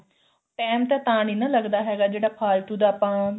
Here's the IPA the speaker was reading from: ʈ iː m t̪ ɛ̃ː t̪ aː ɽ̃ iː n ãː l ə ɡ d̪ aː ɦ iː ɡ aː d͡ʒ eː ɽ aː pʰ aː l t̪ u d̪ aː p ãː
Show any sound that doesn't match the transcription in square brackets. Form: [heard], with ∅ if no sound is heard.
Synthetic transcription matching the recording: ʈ [ɛː] m t̪ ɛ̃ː t̪ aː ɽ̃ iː n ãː l ə ɡ d̪ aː ɦ [ɛː] ɡ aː d͡ʒ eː ɽ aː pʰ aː l t̪ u d̪ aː p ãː